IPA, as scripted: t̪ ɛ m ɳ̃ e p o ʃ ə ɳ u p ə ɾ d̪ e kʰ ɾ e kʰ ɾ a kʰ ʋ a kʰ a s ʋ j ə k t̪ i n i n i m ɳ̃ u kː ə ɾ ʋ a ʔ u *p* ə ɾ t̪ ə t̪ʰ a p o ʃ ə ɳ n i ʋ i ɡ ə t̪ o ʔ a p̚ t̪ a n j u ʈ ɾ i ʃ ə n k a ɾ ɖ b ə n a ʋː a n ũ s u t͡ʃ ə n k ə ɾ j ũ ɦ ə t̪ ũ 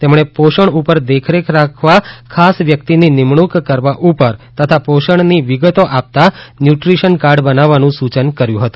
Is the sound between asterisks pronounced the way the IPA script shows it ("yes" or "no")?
yes